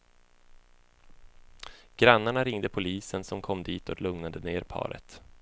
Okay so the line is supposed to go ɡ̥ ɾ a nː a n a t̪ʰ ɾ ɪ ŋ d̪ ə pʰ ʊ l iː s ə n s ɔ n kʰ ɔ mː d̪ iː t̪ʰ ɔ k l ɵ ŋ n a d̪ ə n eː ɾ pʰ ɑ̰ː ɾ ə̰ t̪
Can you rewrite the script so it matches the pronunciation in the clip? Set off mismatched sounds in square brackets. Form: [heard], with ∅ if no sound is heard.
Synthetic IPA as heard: ɡ̥ ɾ a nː a [ɳ] a [∅] ɾ ɪ ŋ d̪ ə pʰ ʊ l iː s ə n s ɔ [m] kʰ ɔ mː d̪ iː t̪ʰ ɔ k l ɵ ŋ n a d̪ ə n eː ɾ pʰ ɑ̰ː ɾ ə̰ t̪